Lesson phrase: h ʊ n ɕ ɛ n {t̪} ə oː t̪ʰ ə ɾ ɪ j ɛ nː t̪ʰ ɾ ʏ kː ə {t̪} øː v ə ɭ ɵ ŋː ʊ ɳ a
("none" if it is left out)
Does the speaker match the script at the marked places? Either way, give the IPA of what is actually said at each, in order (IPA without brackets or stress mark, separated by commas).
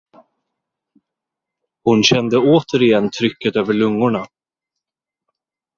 d̪, t̪